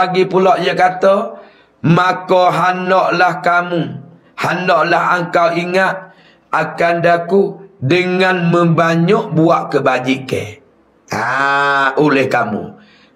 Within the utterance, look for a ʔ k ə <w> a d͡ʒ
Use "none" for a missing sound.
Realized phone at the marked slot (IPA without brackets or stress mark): b